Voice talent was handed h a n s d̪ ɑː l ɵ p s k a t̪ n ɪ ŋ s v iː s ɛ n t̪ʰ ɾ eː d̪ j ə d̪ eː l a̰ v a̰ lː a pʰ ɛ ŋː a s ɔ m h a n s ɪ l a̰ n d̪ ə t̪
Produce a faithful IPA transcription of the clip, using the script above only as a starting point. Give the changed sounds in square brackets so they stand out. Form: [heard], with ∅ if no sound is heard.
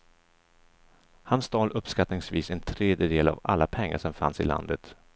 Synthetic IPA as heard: h a n s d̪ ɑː l ɵ p s k a t̪ n ɪ ŋ s v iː s ɛ n t̪ʰ ɾ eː d̪ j ə d̪ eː l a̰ v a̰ lː a pʰ ɛ ŋː a [ʂ] ɔ m [f] a n s ɪ l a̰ n d̪ ə t̪

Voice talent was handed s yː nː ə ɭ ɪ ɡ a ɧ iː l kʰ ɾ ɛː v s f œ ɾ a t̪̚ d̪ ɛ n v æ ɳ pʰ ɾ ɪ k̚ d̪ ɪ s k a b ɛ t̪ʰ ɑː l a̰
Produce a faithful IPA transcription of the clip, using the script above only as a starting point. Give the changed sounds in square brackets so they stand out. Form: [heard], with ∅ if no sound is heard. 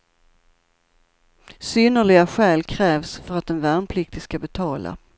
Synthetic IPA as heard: s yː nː ə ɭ ɪ ɡ a ɧ [ɛː] l kʰ ɾ ɛː v s f œ ɾ a t̪̚ d̪ ɛ n v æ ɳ pʰ [l] ɪ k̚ [t̪] ɪ s k a b ɛ t̪ʰ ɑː l a̰

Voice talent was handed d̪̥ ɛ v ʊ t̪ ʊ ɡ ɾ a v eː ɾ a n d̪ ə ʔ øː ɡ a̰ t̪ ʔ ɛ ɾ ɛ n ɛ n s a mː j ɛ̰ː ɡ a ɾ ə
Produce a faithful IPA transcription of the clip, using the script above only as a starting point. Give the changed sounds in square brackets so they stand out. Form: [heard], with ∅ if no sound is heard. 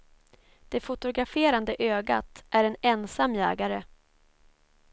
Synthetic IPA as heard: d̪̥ ɛ [f] ʊ t̪ ʊ ɡ ɾ a [f] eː ɾ a n d̪ ə ʔ øː ɡ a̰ t̪ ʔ [æ] ɾ ɛ n ɛ n s a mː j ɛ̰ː ɡ a ɾ ə

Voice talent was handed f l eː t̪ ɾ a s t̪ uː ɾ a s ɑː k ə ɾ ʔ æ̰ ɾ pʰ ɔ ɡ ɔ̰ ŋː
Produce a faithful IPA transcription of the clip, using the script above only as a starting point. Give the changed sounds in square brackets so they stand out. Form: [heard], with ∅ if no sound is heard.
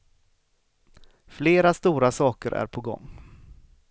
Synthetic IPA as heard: f l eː [∅] ɾ a s t̪ uː ɾ a s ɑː k ə ɾ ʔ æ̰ ɾ pʰ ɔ ɡ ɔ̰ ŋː

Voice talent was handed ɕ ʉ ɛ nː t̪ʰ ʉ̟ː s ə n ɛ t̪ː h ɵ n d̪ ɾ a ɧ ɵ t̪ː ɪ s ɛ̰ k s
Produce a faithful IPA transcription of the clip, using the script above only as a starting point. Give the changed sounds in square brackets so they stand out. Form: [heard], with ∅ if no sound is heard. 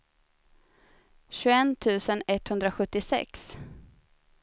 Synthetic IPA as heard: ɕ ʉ ɛ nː t̪ʰ ʉ̟ː s ə n ɛ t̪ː h ɵ n d̪ ɾ a ɧ ɵ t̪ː ɪ s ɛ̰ k s

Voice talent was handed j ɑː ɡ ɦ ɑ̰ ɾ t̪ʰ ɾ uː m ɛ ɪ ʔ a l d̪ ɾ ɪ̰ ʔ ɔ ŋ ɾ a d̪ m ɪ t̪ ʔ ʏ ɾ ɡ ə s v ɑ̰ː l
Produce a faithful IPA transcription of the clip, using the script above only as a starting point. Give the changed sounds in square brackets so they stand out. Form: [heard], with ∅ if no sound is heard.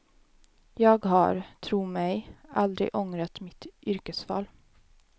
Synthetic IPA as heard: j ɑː ɡ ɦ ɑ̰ ɾ t̪ʰ ɾ uː m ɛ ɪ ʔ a l d̪ ɾ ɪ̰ ʔ ɔ ŋ ɾ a [t̪] m ɪ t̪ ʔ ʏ ɾ [k] ə s [f] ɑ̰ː l

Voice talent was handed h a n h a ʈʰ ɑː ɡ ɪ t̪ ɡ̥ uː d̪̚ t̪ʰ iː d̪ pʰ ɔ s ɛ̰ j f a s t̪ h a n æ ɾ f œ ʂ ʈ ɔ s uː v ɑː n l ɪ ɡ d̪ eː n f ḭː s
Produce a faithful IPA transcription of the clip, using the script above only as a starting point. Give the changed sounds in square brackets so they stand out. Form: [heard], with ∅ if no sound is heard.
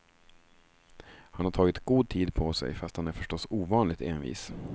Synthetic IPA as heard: h a n h a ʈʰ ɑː ɡ ɪ t̪ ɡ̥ uː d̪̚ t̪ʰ iː d̪ pʰ ɔ s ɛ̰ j f a s t̪ h a n æ ɾ f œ ʂ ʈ ɔ s uː v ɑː n l ɪ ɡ [t̪] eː n [v] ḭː s

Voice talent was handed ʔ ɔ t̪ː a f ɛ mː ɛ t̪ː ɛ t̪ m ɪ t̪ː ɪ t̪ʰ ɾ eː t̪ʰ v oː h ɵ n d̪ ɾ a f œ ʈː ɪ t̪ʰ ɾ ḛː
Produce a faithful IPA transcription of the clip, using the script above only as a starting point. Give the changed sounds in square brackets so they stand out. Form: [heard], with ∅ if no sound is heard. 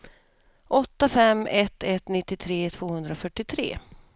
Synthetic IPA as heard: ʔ ɔ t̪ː a f ɛ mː ɛ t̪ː ɛ t̪ [n] ɪ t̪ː ɪ t̪ʰ ɾ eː t̪ʰ v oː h ɵ n d̪ ɾ a f œ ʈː ɪ t̪ʰ ɾ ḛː

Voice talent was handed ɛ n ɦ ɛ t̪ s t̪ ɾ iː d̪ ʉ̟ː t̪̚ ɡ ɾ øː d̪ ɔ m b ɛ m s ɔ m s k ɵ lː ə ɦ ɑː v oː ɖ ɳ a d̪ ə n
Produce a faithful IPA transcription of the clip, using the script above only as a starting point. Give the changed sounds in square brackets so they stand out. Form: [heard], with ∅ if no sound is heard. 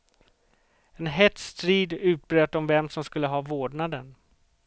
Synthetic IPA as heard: ɛ n ɦ ɛ t̪ s t̪ ɾ iː d̪ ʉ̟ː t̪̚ [b] ɾ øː [t̪] ɔ m [v] ɛ m s ɔ m s k ɵ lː ə ɦ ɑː v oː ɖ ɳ a d̪ ə n

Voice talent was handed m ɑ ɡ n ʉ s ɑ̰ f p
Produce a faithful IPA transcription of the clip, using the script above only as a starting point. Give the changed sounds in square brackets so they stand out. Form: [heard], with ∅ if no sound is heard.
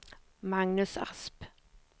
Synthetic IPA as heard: m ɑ [ŋ] n ʉ s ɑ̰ [s] p

